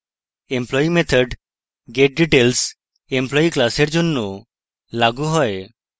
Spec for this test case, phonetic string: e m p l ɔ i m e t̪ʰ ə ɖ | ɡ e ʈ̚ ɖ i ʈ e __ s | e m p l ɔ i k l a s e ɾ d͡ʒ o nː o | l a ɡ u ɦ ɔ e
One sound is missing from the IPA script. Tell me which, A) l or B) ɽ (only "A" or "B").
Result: A